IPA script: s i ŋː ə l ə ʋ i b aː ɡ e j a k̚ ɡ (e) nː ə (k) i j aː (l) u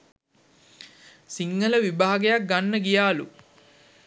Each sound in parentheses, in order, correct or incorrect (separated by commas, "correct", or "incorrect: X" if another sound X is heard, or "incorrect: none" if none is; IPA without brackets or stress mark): incorrect: a, incorrect: ɡ, correct